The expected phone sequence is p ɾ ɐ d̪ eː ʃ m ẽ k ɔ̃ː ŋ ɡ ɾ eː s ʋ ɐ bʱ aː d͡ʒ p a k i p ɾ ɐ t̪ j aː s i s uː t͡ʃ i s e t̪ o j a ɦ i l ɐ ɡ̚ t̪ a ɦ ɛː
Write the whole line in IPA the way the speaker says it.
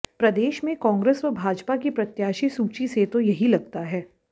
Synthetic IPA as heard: p ɾ ɐ d̪ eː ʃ m ẽ k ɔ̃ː ŋ ɡ ɾ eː s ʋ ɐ bʱ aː d͡ʒ p a k i p ɾ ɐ t̪ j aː ʃ i s uː t͡ʃ i s e t̪ o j ɐ ɦ i l ɐ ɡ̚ t̪ a ɦ ɛː